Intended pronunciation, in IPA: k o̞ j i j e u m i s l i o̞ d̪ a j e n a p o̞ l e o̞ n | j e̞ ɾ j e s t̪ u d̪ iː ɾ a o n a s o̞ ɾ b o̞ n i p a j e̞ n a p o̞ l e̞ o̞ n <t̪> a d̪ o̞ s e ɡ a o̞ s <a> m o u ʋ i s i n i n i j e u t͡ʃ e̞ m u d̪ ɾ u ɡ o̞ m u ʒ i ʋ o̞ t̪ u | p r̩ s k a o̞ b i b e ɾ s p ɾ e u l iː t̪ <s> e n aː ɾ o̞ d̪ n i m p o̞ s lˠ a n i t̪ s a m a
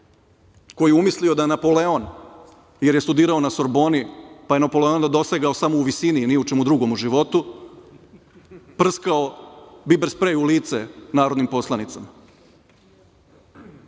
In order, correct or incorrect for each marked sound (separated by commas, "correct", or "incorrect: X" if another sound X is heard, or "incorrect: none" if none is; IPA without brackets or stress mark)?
incorrect: d̪, correct, correct